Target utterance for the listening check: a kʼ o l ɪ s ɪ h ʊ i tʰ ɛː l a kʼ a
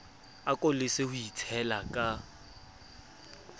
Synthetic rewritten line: a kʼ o l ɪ s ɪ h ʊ i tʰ ɛ l a kʼ a